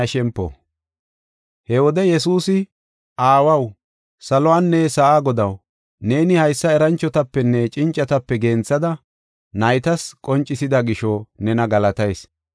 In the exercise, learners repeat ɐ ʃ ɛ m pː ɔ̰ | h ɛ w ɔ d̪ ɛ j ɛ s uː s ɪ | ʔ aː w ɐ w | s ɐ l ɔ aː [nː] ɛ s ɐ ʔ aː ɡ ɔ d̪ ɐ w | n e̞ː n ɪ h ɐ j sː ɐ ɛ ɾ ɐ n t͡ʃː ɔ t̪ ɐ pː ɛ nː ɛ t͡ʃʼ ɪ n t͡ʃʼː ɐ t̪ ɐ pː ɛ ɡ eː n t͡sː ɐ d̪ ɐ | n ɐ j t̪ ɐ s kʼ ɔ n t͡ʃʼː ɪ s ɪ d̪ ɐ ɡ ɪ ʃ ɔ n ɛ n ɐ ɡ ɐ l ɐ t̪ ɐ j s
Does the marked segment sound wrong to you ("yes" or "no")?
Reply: no